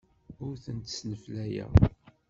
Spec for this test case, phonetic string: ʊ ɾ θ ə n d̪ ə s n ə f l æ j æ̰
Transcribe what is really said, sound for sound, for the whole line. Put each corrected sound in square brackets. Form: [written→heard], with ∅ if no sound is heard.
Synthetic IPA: ʊ ɾ θ ə n [d̪→t̪] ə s n ə f l æ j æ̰